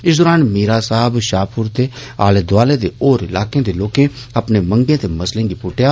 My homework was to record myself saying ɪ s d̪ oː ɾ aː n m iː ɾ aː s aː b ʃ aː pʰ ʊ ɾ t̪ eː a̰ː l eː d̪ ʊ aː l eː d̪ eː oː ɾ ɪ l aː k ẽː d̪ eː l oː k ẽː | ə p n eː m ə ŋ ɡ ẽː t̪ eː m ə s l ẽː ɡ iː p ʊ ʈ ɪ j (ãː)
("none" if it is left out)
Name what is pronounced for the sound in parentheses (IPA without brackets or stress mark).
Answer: aː